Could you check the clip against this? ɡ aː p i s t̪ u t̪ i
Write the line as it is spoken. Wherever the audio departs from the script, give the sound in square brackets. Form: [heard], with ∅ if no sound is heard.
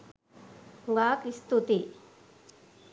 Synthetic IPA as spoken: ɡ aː [k] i s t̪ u t̪ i

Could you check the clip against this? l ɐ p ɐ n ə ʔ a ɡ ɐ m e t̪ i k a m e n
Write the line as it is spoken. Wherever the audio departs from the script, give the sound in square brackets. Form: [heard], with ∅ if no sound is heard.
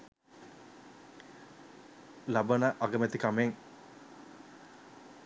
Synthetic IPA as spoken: l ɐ [b] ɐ n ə ʔ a ɡ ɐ m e t̪ i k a m e [ŋ]

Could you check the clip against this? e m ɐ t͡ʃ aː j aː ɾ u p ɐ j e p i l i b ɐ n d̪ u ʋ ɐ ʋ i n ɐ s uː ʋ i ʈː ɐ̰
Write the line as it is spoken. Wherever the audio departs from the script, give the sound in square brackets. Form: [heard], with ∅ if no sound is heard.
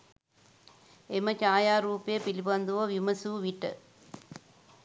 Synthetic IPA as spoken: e m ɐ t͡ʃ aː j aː ɾ [uː] p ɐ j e p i l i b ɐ n d̪ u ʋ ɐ ʋ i [m] ɐ s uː ʋ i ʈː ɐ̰

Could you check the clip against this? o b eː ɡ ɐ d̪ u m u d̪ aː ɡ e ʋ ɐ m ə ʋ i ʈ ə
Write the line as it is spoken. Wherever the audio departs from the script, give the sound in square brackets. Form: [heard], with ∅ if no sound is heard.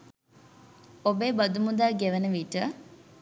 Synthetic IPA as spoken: o b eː [b] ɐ d̪ u m u d̪ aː ɡ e ʋ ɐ [n] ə ʋ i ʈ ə

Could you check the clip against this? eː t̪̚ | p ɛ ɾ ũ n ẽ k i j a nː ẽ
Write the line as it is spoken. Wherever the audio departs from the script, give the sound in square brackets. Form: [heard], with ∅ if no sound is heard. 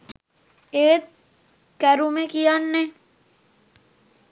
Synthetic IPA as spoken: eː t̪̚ | [k] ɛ ɾ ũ [m] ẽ k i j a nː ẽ

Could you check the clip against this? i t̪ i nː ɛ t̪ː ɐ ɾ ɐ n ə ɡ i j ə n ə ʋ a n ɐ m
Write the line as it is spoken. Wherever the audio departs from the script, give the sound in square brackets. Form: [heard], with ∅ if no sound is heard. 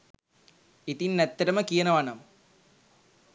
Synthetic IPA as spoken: i t̪ i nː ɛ t̪ː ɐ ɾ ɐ [m] ə [k] i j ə n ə ʋ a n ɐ m

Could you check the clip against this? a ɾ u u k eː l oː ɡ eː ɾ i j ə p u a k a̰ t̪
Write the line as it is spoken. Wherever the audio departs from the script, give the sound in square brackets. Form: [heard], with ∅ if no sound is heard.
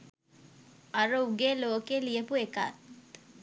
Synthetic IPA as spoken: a ɾ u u [ɡ] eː l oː [k] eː [l] i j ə p u [e] k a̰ t̪

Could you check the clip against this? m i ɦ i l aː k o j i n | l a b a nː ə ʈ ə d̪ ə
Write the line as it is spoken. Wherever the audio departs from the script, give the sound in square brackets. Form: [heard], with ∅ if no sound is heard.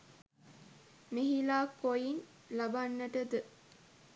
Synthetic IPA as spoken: m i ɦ i l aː k o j i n | l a b a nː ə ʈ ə d̪ ə

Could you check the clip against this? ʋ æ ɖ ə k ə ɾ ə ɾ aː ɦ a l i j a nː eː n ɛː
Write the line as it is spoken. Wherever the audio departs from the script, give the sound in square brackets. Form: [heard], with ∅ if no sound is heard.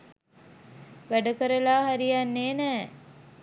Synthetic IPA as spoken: ʋ æ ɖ ə k ə ɾ ə [l] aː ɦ a [ɾ] i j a nː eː n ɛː

